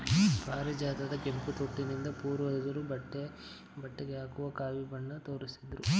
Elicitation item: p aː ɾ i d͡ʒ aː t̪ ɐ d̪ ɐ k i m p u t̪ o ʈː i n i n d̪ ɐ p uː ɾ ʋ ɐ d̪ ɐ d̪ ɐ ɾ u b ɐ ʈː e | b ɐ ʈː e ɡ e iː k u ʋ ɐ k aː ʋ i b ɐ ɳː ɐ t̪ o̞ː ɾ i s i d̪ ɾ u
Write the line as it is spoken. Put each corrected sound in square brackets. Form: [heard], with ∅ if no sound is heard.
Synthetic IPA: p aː ɾ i d͡ʒ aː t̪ ɐ d̪ ɐ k [e] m p u t̪ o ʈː i n i n d̪ ɐ p uː ɾ ʋ ɐ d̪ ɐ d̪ ɐ ɾ u b ɐ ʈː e | b ɐ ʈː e ɡ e [aː] k u ʋ ɐ k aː ʋ i b ɐ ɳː ɐ t̪ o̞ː ɾ i s i d̪ ɾ u